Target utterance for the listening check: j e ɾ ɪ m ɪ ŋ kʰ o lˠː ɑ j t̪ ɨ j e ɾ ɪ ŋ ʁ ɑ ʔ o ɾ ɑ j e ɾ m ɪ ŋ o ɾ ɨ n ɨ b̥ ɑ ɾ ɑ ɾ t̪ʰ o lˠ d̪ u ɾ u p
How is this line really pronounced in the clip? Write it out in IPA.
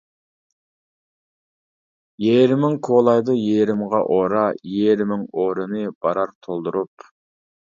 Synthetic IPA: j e ɾ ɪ m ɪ ŋ kʰ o lˠ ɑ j d̪ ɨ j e ɾ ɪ m ʁ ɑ ʔ o ɾ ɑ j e ɾ m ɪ ŋ o ɾ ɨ n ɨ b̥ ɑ ɾ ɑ ɾ t̪ʰ o lˠ d̪ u ɾ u p